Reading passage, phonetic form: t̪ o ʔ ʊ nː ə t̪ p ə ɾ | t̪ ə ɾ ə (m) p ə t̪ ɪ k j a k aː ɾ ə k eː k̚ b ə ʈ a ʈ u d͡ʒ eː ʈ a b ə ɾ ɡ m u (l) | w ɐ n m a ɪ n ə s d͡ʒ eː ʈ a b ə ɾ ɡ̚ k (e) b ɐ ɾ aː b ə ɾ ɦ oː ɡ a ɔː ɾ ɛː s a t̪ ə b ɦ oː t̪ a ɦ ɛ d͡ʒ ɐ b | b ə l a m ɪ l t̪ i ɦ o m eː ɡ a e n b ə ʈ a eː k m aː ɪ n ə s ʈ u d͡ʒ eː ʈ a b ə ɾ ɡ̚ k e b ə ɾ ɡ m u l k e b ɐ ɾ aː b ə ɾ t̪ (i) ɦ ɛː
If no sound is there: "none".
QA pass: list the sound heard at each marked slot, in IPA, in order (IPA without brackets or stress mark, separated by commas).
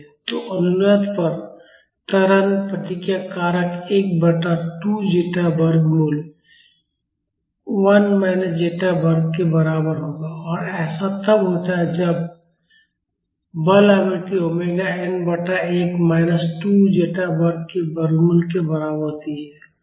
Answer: n, l, e, i